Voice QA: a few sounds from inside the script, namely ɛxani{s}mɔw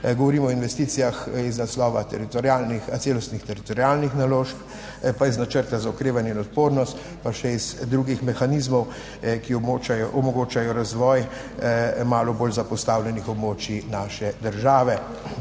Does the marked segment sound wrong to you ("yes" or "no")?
yes